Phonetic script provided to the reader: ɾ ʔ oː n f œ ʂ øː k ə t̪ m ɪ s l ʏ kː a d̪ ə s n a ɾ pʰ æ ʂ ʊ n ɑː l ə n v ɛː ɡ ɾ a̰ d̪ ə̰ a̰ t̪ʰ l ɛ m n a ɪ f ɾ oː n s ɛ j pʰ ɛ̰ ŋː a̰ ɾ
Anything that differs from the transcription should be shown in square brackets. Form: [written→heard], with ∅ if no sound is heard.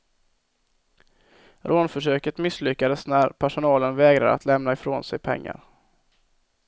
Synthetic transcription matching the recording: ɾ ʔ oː n f œ ʂ øː k ə t̪ m ɪ s l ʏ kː a d̪ ə s n [a→æ] ɾ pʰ æ ʂ ʊ n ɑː l ə n v ɛː ɡ ɾ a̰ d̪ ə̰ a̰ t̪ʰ l ɛ m n a ɪ f ɾ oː n s ɛ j pʰ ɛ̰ ŋː a̰ ɾ